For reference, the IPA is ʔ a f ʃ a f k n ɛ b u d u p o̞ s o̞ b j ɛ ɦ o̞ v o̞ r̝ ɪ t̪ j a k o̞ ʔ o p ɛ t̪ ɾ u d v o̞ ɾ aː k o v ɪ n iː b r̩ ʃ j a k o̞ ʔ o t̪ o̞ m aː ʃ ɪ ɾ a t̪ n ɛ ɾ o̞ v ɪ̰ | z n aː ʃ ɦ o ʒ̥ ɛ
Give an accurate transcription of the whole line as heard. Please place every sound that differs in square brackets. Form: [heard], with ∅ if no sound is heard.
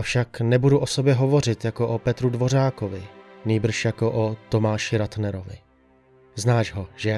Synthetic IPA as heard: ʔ a f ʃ a [∅] k n ɛ b u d u [ʔ] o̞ s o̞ b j ɛ ɦ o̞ v o̞ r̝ ɪ t̪ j a k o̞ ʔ o p ɛ t̪ ɾ u d v o̞ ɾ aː k o v ɪ n iː b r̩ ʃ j a k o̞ ʔ o t̪ o̞ m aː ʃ ɪ ɾ a t̪ n ɛ ɾ o̞ v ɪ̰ | z n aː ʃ ɦ o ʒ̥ ɛ